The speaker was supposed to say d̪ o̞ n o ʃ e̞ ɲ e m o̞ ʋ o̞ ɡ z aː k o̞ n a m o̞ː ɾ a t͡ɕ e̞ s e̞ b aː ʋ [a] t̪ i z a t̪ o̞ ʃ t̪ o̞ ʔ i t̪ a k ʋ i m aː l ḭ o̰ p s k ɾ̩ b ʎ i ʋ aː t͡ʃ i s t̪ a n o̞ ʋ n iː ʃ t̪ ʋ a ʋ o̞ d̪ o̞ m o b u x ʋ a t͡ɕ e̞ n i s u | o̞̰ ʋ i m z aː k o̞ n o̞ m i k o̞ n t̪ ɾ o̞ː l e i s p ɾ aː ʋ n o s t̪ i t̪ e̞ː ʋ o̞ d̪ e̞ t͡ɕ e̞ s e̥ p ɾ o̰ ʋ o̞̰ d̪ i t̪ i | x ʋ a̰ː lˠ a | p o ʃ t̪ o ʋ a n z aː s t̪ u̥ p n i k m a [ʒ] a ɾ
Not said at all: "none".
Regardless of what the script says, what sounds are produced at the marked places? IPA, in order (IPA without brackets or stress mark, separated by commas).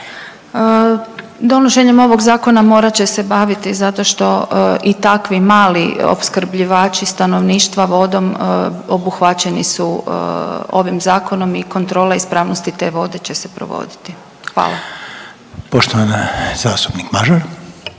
i, ʒ